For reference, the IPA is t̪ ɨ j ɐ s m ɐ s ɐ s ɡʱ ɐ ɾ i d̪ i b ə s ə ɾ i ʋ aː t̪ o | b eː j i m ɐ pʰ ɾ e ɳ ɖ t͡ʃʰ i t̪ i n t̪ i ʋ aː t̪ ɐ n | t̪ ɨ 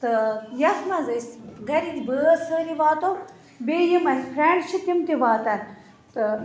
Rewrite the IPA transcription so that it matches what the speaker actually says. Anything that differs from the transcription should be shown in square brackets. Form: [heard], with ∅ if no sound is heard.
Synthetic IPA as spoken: t̪ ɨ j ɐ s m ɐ [z] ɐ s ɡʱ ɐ ɾ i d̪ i b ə s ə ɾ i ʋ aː t̪ o | b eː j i m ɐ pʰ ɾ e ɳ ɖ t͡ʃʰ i t̪ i [m] t̪ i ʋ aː t̪ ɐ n | t̪ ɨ